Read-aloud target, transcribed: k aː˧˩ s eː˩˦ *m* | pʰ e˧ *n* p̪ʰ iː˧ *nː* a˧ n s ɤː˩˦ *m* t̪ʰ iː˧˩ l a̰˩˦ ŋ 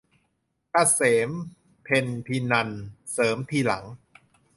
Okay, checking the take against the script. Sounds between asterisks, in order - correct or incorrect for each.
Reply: correct, correct, incorrect, correct

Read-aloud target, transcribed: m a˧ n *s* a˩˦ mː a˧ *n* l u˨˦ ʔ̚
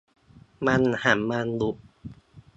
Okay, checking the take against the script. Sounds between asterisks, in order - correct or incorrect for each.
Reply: incorrect, correct

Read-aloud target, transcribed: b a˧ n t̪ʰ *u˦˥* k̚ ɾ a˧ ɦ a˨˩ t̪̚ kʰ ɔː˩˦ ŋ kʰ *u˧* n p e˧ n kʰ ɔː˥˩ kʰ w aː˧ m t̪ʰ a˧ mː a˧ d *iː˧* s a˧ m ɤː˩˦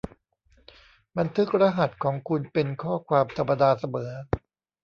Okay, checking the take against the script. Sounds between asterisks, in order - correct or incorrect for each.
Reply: incorrect, correct, incorrect

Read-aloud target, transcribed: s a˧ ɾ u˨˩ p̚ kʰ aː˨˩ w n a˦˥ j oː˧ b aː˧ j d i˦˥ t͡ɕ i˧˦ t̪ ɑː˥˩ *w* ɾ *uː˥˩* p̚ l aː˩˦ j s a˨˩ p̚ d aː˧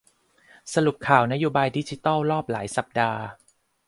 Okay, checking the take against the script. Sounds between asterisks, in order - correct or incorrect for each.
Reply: correct, incorrect

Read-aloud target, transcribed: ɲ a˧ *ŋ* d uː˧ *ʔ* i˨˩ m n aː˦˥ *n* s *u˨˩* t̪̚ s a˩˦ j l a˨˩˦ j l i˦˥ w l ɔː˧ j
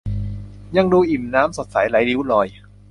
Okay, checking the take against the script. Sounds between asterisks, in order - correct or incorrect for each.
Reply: correct, correct, incorrect, incorrect

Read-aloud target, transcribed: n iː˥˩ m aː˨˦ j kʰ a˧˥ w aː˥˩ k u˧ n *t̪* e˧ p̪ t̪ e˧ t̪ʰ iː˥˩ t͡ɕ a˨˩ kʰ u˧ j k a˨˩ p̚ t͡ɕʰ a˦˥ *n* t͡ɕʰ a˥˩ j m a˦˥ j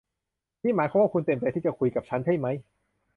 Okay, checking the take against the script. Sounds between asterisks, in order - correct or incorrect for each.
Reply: correct, correct

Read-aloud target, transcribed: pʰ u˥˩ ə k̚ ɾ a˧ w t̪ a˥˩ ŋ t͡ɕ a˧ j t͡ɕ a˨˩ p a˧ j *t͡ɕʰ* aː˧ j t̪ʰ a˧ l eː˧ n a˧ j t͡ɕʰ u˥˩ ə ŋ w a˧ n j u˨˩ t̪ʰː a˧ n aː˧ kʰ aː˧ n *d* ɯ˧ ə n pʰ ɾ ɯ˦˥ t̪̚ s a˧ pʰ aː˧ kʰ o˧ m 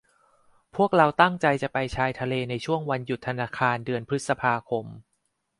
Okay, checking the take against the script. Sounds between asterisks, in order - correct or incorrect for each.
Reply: correct, correct

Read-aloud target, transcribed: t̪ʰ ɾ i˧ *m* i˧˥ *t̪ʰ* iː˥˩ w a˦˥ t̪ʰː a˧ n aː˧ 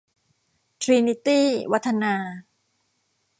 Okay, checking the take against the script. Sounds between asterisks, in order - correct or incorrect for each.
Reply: incorrect, incorrect

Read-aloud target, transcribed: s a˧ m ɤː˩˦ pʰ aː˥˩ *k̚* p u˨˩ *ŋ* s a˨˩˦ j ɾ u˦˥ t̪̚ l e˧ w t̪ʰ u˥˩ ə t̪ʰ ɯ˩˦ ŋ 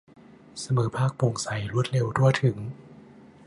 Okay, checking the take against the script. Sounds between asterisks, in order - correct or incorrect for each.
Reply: correct, correct

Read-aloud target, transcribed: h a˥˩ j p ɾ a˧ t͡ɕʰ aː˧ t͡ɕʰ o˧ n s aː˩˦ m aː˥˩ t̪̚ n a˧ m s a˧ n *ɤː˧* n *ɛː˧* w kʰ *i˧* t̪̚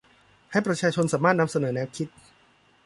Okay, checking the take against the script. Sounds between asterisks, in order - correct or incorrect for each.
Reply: incorrect, incorrect, incorrect

